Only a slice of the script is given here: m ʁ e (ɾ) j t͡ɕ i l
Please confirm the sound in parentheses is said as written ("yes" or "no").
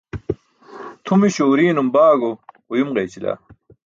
no